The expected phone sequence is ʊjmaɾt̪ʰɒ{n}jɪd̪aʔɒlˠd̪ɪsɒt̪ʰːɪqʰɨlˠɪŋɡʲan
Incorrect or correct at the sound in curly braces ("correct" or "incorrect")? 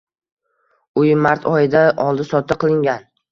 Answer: incorrect